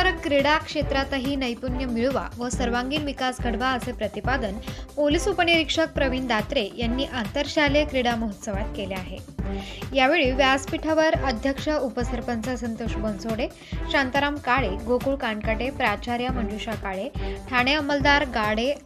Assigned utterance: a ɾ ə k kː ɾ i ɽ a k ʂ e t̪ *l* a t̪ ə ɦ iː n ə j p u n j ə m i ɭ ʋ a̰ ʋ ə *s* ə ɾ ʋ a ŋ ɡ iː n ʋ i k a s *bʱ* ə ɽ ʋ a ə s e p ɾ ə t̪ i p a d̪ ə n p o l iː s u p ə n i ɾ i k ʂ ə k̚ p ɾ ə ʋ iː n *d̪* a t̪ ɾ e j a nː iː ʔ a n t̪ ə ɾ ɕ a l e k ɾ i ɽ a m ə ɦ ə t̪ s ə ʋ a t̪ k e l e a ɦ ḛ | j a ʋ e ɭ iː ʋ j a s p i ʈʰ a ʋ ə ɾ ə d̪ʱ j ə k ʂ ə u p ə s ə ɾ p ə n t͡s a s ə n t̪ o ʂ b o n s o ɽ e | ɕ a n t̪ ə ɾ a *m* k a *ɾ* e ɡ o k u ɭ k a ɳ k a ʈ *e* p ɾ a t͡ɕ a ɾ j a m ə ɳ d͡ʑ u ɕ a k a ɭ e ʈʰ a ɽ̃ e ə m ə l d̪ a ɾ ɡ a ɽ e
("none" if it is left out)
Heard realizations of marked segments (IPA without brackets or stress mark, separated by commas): ɾ, s, ɡʱ, d̪, m, ɭ, e